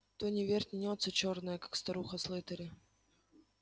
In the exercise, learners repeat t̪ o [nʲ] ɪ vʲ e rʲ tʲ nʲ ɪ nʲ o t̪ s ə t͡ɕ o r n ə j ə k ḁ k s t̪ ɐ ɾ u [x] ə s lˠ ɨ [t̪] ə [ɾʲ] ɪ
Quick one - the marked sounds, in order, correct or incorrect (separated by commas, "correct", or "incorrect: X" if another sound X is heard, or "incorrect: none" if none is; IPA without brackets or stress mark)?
correct, correct, correct, correct